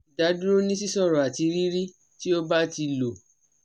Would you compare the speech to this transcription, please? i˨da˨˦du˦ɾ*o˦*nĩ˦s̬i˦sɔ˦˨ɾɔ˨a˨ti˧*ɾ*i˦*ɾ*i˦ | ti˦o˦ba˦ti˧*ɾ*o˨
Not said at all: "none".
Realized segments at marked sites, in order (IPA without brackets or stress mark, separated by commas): o˦, ɾ, ɾ, l